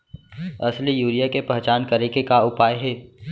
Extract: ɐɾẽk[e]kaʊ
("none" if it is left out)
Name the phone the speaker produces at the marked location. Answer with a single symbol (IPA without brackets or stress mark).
e